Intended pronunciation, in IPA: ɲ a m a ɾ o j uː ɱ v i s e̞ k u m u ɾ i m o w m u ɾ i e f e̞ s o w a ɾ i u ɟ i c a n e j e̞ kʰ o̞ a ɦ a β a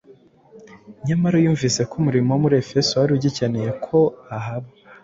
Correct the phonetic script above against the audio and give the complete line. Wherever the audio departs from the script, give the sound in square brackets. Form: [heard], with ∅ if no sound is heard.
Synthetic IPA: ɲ a m a ɾ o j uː ɱ v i s e̞ k u m u ɾ i m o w m u ɾ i e f e̞ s o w a ɾ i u ɟ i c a n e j e̞ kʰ o̞ a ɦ a β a